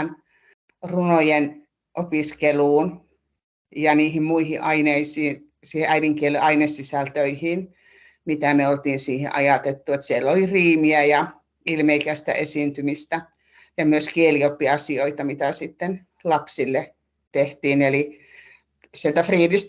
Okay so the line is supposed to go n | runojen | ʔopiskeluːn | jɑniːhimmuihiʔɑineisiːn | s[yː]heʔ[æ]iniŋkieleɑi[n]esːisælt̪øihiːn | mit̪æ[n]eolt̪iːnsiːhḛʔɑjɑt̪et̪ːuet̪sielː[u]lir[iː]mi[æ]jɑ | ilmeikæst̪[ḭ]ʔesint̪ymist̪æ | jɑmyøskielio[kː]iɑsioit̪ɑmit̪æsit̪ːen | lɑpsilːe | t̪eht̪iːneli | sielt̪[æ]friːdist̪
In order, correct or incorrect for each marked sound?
incorrect: iː, correct, correct, incorrect: m, incorrect: o, correct, correct, incorrect: æ̰, incorrect: pː, correct

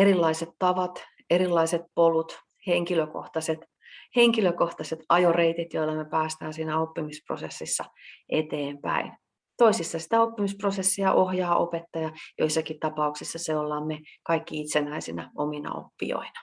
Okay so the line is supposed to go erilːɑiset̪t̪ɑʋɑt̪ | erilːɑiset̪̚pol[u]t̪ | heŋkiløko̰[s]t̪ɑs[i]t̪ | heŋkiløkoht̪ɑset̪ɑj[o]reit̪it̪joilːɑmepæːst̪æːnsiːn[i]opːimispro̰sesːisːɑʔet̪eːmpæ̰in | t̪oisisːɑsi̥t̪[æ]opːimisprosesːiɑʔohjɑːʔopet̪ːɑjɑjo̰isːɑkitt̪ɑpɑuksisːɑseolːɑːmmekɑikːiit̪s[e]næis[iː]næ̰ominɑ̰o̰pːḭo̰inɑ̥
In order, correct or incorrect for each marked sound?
correct, incorrect: h, incorrect: e, correct, incorrect: æ, correct, correct, incorrect: i

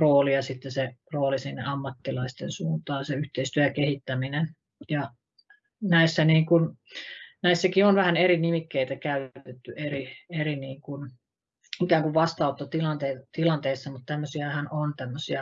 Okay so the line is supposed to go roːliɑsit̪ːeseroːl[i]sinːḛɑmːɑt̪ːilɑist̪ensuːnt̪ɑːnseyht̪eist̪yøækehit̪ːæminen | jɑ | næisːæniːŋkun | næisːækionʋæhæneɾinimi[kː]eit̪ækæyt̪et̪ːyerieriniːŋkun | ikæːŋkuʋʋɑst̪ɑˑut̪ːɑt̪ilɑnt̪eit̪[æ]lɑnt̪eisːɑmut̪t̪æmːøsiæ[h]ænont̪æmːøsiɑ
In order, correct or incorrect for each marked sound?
correct, correct, incorrect: i, correct

